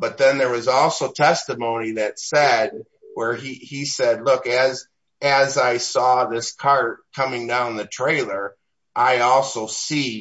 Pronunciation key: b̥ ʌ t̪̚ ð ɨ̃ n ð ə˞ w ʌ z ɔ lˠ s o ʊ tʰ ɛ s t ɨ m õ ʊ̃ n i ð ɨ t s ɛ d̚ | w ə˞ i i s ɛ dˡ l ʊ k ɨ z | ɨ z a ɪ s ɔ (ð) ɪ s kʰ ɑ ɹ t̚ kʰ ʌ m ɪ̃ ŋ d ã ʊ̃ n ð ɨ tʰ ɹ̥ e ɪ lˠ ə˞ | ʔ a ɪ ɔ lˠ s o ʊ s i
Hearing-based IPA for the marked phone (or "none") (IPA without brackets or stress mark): ð